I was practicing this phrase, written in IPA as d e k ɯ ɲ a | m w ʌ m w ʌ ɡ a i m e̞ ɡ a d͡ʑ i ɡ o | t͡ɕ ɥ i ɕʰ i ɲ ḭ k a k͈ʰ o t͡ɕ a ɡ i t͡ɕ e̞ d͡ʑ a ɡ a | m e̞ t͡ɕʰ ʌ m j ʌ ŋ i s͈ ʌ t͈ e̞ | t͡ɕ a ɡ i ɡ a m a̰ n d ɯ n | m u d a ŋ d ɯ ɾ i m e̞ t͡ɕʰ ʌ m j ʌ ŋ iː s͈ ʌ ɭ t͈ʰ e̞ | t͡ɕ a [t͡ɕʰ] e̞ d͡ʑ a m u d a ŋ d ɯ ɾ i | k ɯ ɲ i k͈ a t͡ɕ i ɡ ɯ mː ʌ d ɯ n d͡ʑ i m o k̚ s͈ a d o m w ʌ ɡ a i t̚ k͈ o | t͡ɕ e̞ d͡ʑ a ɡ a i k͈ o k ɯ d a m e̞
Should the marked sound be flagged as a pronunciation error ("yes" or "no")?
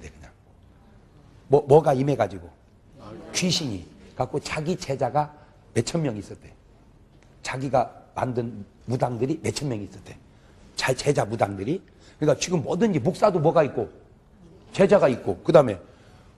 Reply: yes